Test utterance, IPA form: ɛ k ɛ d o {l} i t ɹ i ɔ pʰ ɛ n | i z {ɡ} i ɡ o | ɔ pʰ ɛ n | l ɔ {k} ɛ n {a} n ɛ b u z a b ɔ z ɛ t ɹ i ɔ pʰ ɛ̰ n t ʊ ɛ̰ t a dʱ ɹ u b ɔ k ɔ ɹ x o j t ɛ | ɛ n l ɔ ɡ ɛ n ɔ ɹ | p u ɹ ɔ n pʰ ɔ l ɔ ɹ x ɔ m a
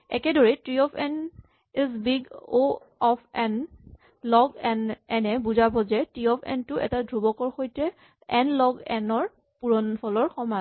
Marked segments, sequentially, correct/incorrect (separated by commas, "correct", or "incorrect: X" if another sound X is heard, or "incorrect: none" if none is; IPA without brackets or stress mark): incorrect: ɹ, incorrect: b, incorrect: ɡ, incorrect: ɛ